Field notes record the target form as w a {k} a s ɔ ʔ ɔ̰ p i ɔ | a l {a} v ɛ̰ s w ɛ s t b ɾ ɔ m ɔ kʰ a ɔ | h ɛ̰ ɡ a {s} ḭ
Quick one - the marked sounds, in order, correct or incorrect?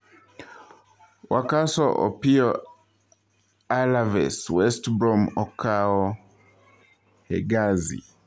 correct, correct, incorrect: z

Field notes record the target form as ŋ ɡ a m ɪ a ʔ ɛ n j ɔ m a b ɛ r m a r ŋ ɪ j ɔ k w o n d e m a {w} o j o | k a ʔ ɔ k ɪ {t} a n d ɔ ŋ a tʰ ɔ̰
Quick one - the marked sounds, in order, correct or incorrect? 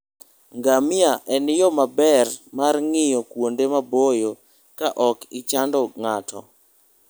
incorrect: b, incorrect: t͡ʃ

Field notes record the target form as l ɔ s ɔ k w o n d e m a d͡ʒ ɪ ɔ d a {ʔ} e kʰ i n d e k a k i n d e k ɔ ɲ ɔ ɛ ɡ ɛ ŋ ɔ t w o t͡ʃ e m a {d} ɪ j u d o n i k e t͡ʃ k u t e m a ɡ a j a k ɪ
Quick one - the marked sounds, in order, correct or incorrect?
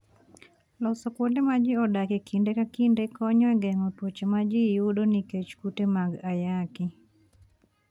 incorrect: k, incorrect: d͡ʒ

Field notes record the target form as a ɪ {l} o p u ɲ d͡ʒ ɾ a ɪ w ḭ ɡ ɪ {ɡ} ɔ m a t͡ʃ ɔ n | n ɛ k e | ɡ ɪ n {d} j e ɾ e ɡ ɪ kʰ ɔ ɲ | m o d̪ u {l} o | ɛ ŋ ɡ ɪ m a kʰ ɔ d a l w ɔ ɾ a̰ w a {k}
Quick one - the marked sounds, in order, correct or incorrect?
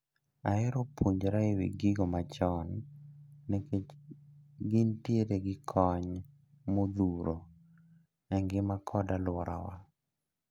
incorrect: ɾ, correct, incorrect: t, incorrect: ɾ, incorrect: none

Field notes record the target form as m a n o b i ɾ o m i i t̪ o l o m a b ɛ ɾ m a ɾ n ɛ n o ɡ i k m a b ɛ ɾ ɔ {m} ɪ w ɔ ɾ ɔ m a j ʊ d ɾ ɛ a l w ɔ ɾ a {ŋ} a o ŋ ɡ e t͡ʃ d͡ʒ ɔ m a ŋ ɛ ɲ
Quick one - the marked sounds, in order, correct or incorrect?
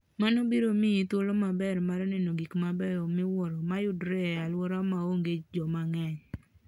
correct, incorrect: m

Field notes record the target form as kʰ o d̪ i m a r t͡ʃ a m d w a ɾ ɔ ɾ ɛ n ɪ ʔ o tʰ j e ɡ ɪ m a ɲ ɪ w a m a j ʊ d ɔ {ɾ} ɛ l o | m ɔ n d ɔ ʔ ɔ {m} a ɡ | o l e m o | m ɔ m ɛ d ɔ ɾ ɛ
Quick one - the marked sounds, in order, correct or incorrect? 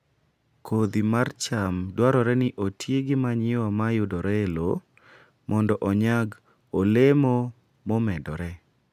correct, incorrect: ɲ

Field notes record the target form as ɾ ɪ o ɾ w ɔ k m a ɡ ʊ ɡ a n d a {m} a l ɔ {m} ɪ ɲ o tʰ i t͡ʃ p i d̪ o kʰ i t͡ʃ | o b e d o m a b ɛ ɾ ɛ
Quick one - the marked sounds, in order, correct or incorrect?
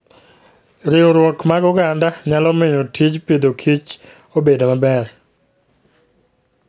incorrect: ɲ, correct

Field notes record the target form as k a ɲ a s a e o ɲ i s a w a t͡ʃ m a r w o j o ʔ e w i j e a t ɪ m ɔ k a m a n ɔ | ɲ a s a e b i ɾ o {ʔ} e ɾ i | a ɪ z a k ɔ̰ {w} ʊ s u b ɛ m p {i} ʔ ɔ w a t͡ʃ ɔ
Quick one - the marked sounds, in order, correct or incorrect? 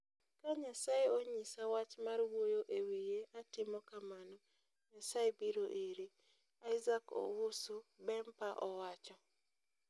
correct, correct, incorrect: a

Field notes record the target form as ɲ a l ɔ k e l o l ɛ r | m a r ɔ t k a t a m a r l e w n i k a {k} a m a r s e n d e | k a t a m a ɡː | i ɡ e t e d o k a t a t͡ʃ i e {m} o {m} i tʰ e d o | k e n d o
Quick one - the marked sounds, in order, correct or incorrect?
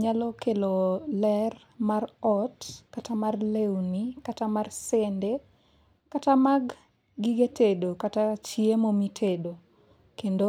incorrect: t, correct, correct

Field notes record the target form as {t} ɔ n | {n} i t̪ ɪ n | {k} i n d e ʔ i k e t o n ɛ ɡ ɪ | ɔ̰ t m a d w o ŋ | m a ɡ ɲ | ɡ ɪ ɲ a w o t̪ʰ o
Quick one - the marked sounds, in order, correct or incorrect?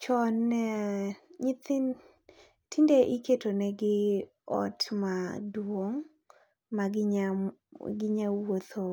incorrect: t͡ʃ, incorrect: ɲ, incorrect: t

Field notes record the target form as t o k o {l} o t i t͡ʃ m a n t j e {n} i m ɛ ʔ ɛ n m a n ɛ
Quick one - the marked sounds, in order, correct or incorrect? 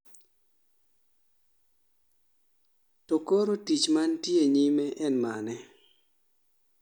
incorrect: ɾ, incorrect: ɲ

